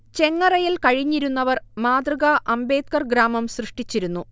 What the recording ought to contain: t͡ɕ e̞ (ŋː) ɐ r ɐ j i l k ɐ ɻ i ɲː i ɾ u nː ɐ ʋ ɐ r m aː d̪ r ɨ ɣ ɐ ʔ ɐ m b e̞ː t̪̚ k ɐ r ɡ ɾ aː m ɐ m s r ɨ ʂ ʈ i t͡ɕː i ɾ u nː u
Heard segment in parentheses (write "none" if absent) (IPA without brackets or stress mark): ŋː